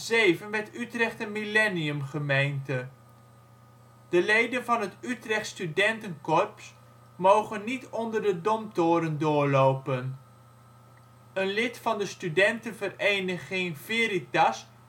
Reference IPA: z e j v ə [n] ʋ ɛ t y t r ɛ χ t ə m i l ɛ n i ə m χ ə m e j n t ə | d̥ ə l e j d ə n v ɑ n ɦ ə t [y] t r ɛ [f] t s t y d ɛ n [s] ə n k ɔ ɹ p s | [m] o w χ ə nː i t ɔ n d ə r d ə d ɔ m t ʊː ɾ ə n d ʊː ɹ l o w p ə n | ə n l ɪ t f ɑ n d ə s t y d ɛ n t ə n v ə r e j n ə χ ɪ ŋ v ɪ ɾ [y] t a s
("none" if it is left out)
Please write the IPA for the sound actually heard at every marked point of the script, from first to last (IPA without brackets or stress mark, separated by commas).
n, y, χ, t, m, i